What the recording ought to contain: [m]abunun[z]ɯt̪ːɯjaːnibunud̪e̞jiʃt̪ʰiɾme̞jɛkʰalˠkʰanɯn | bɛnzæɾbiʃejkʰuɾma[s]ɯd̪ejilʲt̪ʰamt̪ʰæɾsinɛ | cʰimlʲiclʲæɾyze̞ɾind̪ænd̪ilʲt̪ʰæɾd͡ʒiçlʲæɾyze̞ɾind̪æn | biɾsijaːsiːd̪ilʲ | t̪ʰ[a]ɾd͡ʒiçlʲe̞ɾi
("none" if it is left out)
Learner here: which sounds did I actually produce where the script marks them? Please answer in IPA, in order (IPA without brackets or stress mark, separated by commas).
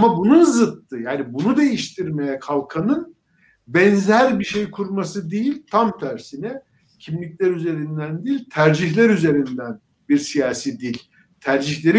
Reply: m, z, s, æ